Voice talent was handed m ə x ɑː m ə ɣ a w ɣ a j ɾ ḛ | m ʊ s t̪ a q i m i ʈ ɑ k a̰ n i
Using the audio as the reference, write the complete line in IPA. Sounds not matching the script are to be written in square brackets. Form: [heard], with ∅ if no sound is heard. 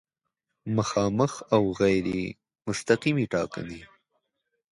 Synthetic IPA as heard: m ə x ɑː m ə [x] a w ɣ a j ɾ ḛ | m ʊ s t̪ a q i m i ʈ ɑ k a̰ n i